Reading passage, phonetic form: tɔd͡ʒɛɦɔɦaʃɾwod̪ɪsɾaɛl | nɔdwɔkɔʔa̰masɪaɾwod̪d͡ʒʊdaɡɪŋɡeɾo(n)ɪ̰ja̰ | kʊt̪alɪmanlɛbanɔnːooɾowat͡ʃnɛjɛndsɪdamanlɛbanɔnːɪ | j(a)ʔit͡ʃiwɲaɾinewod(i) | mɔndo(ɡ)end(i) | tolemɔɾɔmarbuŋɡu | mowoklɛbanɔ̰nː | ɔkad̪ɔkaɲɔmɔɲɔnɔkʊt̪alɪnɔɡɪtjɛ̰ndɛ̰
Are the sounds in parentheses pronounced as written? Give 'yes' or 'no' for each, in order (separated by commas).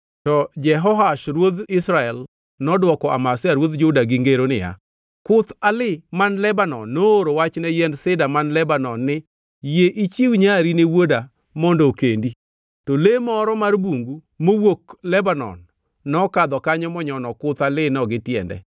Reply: yes, no, no, no, yes